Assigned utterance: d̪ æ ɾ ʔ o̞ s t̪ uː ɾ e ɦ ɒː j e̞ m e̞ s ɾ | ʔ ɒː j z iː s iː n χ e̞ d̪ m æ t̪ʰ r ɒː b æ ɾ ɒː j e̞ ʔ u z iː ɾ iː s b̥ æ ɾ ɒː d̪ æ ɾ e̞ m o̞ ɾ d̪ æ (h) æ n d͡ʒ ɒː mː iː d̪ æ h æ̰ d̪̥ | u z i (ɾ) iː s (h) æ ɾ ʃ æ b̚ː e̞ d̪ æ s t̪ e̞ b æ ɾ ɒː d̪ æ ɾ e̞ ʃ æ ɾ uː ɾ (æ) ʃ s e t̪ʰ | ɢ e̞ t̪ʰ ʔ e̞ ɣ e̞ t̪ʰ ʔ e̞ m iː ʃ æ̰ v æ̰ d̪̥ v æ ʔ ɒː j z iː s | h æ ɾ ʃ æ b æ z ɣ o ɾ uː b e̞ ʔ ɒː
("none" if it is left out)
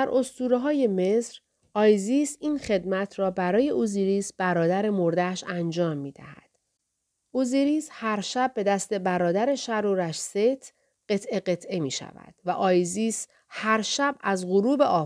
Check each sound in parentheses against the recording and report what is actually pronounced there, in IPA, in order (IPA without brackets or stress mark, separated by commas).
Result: ʃ, ɾ, h, æ